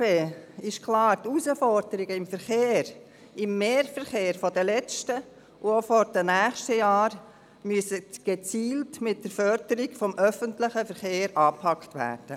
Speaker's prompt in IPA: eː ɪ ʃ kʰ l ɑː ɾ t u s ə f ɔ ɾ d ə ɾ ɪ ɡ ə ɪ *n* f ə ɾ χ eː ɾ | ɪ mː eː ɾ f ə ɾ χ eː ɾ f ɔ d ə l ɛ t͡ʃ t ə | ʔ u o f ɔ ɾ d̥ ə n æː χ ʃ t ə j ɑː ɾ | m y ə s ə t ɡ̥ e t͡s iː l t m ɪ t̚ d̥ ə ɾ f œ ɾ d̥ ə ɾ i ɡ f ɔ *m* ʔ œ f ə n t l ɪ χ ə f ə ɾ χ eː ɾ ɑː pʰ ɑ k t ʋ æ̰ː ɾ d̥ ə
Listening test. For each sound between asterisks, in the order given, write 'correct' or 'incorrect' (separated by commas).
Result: incorrect, correct